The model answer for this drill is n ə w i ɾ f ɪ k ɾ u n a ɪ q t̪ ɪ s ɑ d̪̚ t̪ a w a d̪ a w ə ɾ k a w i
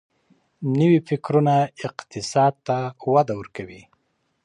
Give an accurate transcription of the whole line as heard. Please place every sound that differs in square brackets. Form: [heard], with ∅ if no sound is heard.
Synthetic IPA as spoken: n ə w i [∅] f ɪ k ɾ u n a ɪ q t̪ ɪ s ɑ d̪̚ t̪ a w a d̪ a w ə ɾ k a w i